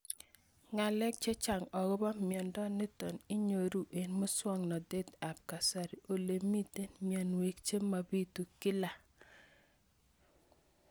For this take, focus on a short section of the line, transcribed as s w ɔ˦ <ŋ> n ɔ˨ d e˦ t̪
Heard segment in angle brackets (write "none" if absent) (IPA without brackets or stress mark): ŋ